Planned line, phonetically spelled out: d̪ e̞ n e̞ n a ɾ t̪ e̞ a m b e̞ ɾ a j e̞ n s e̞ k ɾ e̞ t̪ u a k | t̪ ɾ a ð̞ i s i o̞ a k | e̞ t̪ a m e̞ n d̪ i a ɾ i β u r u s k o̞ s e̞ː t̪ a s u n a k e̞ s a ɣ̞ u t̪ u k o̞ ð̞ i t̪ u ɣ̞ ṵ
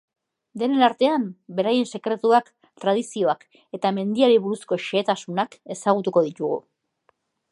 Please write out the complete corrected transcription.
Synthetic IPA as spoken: d̪ e̞ n e̞ n a ɾ t̪ e̞ a m b e̞ ɾ a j e̞ n s e̞ k ɾ e̞ t̪ u a k | t̪ ɾ a ð̞ i s i o̞ a k | e̞ t̪ a m e̞ n d̪ i a ɾ i β u ɾ u s k o̞ ʃ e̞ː t̪ a s u n a k e̞ s a ɣ̞ u t̪ u k o̞ ð̞ i t̪ u ɣ̞ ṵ

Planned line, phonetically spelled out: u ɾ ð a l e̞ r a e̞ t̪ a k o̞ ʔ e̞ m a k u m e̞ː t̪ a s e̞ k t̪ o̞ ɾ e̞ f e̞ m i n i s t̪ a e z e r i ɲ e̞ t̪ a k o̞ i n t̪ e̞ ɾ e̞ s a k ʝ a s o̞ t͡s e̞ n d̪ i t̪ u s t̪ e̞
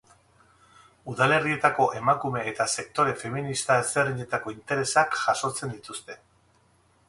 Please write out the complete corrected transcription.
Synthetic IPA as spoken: u ð a l e̞ r i e̞ t̪ a k o̞ ʔ e̞ m a k u m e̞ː t̪ a s e̞ k t̪ o̞ ɾ e̞ f e̞ m i n i s t̪ a e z e r i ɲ e̞ t̪ a k o̞ i n t̪ e̞ ɾ e̞ s a k ʝ a s o̞ t͡s e̞ n d̪ i t̪ u s t̪ e̞

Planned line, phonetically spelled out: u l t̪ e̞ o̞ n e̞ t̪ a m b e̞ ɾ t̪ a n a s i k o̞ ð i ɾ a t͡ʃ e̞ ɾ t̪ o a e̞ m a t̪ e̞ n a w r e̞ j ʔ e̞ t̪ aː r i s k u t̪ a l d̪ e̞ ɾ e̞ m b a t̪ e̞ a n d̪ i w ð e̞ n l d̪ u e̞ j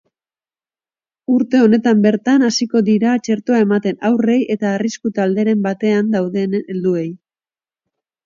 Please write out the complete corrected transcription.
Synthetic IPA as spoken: u ɾ t̪ e̞ o̞ n e̞ t̪ a m b e̞ ɾ t̪ a n a s i k o̞ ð i ɾ a t͡ʃ e̞ ɾ t̪ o a e̞ m a t̪ e̞ n a w r e̞ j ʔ e̞ t̪ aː r i s k u t̪ a l d̪ e̞ ɾ e̞ m b a t̪ e̞ a n d̪ a w ð e̞ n l d̪ u e̞ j

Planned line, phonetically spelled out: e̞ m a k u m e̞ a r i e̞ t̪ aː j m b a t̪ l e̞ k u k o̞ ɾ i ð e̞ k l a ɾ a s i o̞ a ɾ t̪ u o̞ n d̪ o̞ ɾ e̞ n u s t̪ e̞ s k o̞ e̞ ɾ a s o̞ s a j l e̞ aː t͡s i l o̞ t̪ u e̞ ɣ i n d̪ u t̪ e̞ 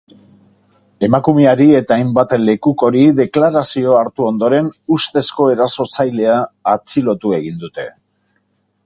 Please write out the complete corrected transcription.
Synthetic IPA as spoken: e̞ m a k u m e̞ a ɾ i e̞ t̪ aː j m b a t̪ l e̞ k u k o̞ ɾ i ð e̞ k l a ɾ a s i o̞ a ɾ t̪ u o̞ n d̪ o̞ ɾ e̞ n u s t̪ e̞ s k o̞ e̞ ɾ a s o̞ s a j l e̞ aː t͡s i l o̞ t̪ u e̞ ɣ i n d̪ u t̪ e̞

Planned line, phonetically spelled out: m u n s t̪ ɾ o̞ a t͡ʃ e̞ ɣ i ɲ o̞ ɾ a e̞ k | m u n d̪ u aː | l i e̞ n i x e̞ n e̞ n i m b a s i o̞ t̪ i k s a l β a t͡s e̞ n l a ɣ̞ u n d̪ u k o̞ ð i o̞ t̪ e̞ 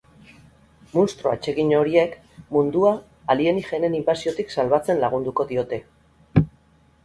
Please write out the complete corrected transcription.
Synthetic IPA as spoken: m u n s t̪ ɾ o̞ a t͡ʃ e̞ ɣ i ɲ o̞ ɾ i e̞ k | m u n d̪ u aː | l i e̞ n i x e̞ n e̞ n i m b a s i o̞ t̪ i k s a l β a t͡s e̞ n l a ɣ̞ u n d̪ u k o̞ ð i o̞ t̪ e̞

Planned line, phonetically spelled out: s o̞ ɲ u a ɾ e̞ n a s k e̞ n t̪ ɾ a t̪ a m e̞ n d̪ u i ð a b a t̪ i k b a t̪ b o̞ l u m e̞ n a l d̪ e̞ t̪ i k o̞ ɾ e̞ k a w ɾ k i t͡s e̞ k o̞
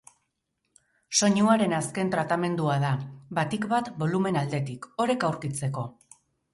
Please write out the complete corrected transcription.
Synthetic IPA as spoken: s o̞ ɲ u a ɾ e̞ n a s k e̞ n t̪ ɾ a t̪ a m e̞ n d̪ u a ð a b a t̪ i k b a t̪ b o̞ l u m e̞ n a l d̪ e̞ t̪ i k o̞ ɾ e̞ k a w ɾ k i t͡s e̞ k o̞

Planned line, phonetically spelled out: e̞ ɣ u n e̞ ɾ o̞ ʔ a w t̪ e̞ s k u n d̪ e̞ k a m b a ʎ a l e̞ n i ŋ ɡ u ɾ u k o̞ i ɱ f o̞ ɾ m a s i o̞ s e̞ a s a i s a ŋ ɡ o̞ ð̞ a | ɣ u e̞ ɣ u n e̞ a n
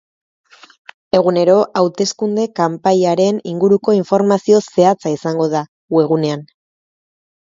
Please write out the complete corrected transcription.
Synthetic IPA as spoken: e̞ ɣ u n e̞ ɾ o̞ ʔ a w t̪ e̞ s k u n d̪ e̞ k a m p a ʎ a ɾ e̞ n i ŋ ɡ u ɾ u k o̞ i ɱ f o̞ ɾ m a s i o̞ s e̞ a t͡s a i s a ŋ ɡ o̞ ð̞ a | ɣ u e̞ ɣ u n e̞ a n

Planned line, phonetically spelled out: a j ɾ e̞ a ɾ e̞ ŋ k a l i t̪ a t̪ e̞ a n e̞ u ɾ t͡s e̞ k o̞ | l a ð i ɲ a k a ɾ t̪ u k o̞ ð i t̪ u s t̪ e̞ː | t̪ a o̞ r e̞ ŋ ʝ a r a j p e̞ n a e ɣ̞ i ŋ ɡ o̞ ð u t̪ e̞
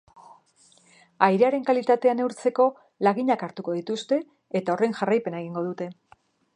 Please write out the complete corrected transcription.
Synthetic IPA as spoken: a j ɾ e̞ a ɾ e̞ ŋ k a l i t̪ a t̪ e̞ a n e̞ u ɾ t͡s e̞ k o̞ | l a ɣ i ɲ a k a ɾ t̪ u k o̞ ð i t̪ u s t̪ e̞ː | t̪ a o̞ r e̞ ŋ ʝ a r a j p e̞ n a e ɣ̞ i ŋ ɡ o̞ ð u t̪ e̞

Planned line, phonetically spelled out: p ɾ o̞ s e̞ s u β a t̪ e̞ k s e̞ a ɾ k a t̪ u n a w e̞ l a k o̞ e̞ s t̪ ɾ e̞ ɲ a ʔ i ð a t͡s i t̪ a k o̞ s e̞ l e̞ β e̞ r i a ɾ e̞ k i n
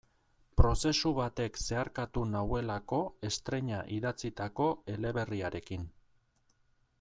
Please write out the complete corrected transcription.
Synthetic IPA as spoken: p ɾ o̞ s e̞ s u β a t̪ e̞ k s e̞ a ɾ k a t̪ u n a w e̞ l a k o̞ e̞ s t̪ ɾ e̞ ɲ a ʔ i ð a t͡s i t̪ a k o̞ e̞ l e̞ β e̞ r i a ɾ e̞ k i n

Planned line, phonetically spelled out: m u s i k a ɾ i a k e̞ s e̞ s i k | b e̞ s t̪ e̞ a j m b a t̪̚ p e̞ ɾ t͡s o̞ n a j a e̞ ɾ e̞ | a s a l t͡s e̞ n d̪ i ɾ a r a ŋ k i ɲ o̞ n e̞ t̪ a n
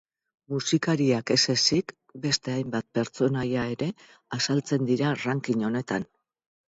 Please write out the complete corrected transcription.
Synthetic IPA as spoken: m u s i k a ɾ i a k e̞ s e̞ s i k | b e̞ s t̪ e̞ a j m b a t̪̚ p e̞ ɾ t͡s o̞ n a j a e̞ ɾ e̞ | a s a l t͡s e̞ n d̪ i ɾ a r a ŋ k i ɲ o̞ n e̞ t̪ a n

